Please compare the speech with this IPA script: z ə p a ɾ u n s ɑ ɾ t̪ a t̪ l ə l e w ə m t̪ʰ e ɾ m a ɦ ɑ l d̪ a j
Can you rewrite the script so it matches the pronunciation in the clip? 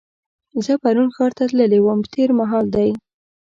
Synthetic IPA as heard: z ə p a ɾ u n x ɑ ɾ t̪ a t̪ l ə l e w ə m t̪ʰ e ɾ m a ɦ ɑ l d̪ a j